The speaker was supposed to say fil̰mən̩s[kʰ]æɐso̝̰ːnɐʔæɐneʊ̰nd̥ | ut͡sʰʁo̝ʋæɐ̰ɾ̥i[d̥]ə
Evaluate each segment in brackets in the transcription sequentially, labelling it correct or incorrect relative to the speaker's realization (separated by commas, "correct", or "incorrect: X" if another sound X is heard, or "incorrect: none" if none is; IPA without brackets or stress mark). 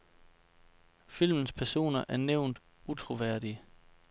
incorrect: pʰ, incorrect: none